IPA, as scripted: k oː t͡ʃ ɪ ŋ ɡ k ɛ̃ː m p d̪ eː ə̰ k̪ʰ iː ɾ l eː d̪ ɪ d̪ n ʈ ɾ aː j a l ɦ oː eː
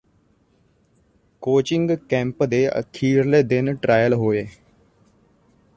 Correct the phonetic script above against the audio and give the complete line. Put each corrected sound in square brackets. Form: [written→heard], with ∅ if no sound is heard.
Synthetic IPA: k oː t͡ʃ ɪ ŋ ɡ k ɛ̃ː m p d̪ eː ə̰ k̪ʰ iː ɾ l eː d̪ ɪ [d̪→∅] n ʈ ɾ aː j [a→ə] l ɦ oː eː